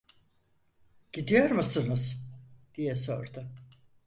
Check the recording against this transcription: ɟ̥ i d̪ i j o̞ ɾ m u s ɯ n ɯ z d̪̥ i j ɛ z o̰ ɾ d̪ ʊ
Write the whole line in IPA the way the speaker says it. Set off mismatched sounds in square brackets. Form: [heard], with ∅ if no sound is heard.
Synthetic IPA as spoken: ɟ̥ i d̪ i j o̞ ɾ m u s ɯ n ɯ z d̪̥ i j ɛ [s] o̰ ɾ d̪ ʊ

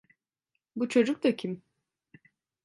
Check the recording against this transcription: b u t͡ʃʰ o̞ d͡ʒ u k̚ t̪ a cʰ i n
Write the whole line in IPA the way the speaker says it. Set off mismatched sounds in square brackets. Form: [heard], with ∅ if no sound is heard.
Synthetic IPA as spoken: b u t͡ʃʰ o̞ d͡ʒ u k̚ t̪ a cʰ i [m]

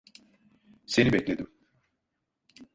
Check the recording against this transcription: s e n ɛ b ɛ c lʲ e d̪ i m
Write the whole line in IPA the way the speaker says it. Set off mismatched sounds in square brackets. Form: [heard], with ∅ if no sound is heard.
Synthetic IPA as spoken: s e n [i] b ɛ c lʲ e d̪ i m

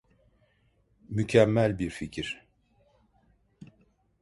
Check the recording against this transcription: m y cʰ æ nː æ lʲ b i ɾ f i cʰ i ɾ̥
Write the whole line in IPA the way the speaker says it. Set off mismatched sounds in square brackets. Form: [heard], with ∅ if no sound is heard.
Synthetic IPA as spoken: m y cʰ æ [mː] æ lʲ b i ɾ f i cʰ i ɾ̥

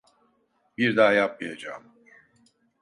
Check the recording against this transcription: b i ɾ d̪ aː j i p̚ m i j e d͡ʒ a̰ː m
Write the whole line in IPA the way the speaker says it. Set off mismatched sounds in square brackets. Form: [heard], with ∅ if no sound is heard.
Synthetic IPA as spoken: b i ɾ d̪ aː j [a] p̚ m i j [a] d͡ʒ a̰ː m

